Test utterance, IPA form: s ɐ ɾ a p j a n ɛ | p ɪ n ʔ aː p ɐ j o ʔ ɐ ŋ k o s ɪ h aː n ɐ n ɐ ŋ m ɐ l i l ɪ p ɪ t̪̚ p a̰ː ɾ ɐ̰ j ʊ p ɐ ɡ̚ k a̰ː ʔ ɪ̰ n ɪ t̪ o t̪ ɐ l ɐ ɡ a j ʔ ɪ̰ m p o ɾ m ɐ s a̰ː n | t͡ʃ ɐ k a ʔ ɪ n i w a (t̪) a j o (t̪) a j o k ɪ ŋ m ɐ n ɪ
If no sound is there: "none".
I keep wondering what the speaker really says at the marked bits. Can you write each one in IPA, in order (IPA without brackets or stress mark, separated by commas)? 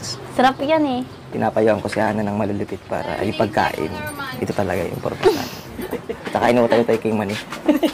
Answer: t̪, t̪